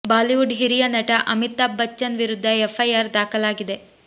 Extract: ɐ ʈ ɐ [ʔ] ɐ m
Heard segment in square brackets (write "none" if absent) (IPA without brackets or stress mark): ʔ